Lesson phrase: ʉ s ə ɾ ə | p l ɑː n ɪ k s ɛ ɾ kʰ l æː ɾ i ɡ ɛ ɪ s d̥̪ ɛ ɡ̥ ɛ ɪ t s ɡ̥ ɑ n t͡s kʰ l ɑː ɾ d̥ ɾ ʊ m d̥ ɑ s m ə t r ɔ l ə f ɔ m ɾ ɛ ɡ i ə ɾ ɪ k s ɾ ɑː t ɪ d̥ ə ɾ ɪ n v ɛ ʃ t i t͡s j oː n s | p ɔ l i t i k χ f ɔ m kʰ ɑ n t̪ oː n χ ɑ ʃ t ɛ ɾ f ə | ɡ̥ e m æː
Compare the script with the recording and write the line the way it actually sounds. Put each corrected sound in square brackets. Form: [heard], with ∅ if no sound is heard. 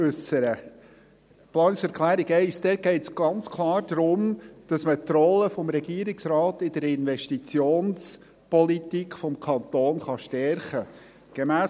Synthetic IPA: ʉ s ə ɾ ə | p l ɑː n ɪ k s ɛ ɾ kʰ l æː ɾ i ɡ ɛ ɪ s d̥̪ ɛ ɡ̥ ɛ ɪ t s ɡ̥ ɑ n t͡s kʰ l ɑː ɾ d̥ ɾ ʊ m d̥ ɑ s m ə t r ɔ l ə f ɔ m ɾ ɛ ɡ i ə ɾ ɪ k s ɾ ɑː t ɪ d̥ ə ɾ ɪ n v ɛ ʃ t i t͡s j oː n s | p ɔ l i t i k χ f ɔ m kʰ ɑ n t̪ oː n χ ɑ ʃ t ɛ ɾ [χ] ə | ɡ̥ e m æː

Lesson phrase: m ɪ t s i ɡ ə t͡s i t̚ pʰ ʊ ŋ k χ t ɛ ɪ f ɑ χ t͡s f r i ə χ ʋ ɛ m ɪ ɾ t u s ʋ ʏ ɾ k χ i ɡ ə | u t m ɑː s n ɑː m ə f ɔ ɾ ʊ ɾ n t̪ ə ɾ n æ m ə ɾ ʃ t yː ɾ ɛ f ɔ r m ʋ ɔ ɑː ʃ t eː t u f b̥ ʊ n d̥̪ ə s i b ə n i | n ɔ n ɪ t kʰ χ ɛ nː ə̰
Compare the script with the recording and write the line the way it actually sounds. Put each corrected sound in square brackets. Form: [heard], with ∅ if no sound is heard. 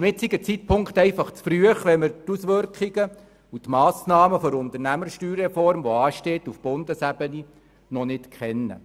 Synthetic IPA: m ɪ t s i ɡ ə t͡s i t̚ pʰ ʊ ŋ k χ t ɛ ɪ f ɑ χ t͡s f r [y] ə χ ʋ ɛ m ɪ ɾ t u s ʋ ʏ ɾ k χ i ɡ ə | u t m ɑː s n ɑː m ə f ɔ ɾ ʊ [∅] n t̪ ə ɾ n æ m ə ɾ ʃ t yː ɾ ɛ f ɔ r m ʋ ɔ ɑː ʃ t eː t u f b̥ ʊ n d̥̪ ə s [æ] b ə n i | n ɔ n ɪ t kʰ χ ɛ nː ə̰

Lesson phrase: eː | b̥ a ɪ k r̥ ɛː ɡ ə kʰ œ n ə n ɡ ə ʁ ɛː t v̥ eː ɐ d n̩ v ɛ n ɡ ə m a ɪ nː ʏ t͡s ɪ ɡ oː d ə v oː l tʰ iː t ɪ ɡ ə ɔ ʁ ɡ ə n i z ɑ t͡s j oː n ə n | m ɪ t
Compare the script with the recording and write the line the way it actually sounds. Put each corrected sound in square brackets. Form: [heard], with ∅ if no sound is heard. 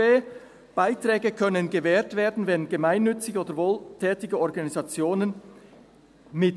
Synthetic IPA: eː | b̥ a ɪ [t] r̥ ɛː ɡ ə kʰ œ n ə n ɡ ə [v] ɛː t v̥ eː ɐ d n̩ v ɛ n ɡ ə m a ɪ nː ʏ t͡s ɪ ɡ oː d ə v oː l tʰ [ɛː] t ɪ ɡ ə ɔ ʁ ɡ [ɑ] n i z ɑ t͡s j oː n ə n | m ɪ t

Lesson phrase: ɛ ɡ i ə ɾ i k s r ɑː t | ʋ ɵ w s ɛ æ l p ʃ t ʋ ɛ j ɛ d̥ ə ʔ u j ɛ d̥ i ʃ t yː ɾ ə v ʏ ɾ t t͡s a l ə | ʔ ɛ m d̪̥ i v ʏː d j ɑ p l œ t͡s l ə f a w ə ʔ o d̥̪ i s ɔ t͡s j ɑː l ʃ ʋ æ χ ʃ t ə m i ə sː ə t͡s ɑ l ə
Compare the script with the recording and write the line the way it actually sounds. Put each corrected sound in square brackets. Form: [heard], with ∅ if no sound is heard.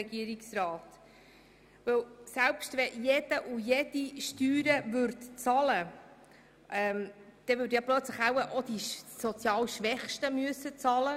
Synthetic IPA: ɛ ɡ i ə ɾ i k s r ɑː t | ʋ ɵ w s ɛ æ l p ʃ t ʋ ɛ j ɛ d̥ ə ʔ u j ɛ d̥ i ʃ t yː ɾ ə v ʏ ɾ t t͡s [ɑ] l ə | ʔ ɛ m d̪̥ [ɛ] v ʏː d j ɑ p l œ t͡s l ə [χ] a w ə ʔ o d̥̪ i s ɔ t͡s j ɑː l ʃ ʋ [ɛ] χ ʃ t ə m [y] ə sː ə t͡s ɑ l ə

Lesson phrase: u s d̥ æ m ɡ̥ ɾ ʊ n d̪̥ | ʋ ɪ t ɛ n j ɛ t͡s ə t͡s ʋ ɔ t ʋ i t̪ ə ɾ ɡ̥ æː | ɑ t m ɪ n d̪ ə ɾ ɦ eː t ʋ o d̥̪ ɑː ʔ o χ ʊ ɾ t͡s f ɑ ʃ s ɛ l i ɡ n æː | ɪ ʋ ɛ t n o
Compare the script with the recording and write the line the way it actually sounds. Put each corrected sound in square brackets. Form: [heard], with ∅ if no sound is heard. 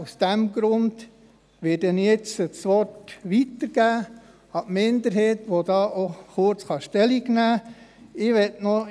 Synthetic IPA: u s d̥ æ m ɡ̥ ɾ ʊ n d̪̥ | ʋ ɪ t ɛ n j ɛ t͡s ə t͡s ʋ ɔ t ʋ i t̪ ə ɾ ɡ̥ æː | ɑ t m ɪ n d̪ ə ɾ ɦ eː t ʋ o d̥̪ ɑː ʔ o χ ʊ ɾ t͡s [χ] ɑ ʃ [t] ɛ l i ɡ n æː | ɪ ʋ ɛ t n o

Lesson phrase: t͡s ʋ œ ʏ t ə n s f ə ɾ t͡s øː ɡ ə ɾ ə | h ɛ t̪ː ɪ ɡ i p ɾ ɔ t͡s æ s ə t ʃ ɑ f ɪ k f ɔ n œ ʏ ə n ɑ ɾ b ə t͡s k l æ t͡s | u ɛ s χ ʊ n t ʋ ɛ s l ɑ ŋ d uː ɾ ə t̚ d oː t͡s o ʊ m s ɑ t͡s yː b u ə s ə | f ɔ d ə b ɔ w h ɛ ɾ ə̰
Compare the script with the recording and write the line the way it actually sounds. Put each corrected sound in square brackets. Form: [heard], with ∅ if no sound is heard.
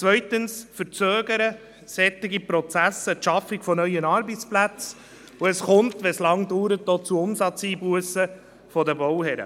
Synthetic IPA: t͡s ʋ œ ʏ t ə n s f ə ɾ t͡s øː ɡ ə ɾ ə | [s] ɛ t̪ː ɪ ɡ i p ɾ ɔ t͡s æ s ə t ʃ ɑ f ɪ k f ɔ n œ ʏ ə n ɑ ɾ b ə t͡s [p] l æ t͡s | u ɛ s χ ʊ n t ʋ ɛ s l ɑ ŋ d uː ɾ ə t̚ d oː t͡s [u] ʊ m s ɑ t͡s [iː] b u ə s ə | f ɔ d ə b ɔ w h ɛ ɾ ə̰

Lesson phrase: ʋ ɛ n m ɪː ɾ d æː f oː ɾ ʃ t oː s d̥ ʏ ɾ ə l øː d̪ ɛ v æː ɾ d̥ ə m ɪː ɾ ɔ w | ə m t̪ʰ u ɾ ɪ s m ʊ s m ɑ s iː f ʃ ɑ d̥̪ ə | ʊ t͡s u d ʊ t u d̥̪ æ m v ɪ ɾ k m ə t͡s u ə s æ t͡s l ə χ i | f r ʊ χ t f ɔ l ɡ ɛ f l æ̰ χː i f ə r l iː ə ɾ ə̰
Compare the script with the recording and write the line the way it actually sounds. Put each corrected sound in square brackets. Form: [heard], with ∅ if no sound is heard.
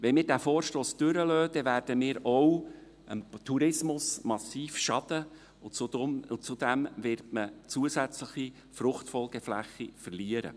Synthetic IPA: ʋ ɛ n m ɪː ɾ d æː f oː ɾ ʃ t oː s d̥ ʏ ɾ ə l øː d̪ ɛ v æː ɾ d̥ ə m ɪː ɾ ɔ w | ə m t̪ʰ u ɾ ɪ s m ʊ s m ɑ s iː f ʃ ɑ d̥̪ ə | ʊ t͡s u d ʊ [t͡s] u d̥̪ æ m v ɪ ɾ [t] m ə t͡s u ə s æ t͡s l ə χ i | f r ʊ χ t f ɔ l ɡ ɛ f l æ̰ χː i f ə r l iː ə ɾ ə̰

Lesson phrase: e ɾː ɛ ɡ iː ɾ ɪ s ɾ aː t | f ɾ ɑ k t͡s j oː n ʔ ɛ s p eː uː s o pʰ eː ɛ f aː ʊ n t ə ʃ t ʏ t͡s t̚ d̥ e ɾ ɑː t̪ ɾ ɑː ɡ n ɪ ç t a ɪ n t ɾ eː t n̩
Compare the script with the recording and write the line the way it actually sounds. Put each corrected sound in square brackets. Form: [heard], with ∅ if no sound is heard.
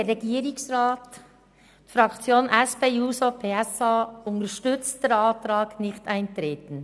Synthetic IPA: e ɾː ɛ ɡ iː ɾ ɪ s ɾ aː t | f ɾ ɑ k t͡s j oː n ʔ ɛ s p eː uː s o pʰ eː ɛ [s] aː ʊ n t ə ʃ t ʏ t͡s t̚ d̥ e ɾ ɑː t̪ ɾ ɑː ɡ n ɪ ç t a ɪ n t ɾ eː t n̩

